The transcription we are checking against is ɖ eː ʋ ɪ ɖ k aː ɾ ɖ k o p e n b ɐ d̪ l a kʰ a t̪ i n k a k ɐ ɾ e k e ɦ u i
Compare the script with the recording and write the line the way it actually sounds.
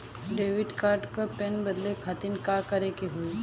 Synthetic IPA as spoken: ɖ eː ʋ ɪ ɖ k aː ɾ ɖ k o p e n b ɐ d̪ l e kʰ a t̪ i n k a k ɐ ɾ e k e ɦ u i